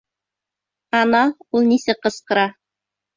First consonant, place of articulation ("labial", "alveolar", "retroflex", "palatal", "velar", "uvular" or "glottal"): alveolar